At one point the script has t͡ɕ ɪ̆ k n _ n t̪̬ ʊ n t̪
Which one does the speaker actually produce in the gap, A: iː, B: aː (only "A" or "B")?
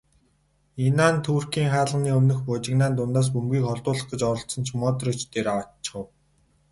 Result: B